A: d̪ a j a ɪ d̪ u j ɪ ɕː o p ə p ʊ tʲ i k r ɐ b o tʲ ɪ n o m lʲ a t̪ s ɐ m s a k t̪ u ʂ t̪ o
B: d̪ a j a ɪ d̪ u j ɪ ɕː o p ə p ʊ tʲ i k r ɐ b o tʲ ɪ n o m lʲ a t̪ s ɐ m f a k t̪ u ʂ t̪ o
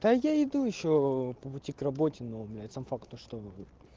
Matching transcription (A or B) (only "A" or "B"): B